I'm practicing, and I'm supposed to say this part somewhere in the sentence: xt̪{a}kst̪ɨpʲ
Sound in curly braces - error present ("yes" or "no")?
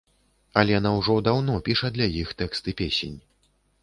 yes